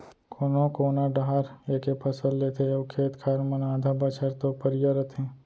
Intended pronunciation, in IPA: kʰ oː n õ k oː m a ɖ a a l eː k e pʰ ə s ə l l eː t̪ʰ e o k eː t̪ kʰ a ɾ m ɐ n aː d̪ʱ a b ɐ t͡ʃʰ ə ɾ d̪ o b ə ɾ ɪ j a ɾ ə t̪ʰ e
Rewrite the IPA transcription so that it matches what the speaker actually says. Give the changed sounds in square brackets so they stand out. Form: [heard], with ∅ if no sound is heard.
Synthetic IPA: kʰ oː n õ k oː [n] a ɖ a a [ɾ] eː k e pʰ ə s ə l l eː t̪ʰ e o [kʰ] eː t̪ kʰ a ɾ m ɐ n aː d̪ʱ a b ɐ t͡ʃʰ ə ɾ [t̪] o [p] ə ɾ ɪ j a ɾ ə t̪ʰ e